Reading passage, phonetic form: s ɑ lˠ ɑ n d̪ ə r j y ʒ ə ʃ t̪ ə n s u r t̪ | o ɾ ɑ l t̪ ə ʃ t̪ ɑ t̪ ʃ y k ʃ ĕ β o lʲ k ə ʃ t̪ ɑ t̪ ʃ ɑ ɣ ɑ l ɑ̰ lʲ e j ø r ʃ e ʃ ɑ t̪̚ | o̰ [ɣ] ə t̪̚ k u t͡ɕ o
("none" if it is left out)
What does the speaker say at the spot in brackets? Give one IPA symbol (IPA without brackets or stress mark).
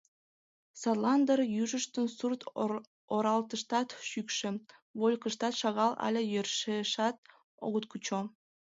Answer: ɣ